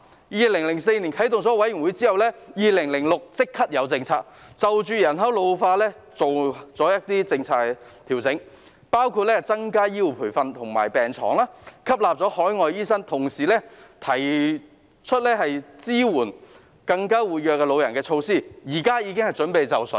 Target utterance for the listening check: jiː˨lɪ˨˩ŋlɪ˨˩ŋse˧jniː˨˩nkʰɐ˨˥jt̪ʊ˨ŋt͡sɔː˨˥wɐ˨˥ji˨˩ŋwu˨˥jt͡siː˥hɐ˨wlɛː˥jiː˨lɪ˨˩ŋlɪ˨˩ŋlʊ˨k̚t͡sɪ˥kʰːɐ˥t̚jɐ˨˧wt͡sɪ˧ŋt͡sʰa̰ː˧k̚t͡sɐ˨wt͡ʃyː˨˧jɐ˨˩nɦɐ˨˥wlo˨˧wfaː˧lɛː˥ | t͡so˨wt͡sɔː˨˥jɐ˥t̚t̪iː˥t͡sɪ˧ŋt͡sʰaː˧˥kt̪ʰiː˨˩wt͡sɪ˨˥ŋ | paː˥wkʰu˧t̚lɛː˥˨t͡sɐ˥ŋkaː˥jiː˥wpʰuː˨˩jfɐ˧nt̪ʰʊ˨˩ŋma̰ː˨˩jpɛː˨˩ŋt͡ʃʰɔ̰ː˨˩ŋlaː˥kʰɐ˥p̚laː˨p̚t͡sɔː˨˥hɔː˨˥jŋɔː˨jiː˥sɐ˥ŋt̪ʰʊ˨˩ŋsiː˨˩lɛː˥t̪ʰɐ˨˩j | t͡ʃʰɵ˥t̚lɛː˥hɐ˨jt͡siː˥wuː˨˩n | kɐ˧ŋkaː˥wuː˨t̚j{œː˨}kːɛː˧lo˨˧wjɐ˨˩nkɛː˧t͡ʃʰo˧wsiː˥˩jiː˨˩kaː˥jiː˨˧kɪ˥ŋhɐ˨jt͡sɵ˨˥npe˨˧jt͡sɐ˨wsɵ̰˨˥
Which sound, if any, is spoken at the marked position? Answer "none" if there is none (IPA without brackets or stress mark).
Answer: œː˨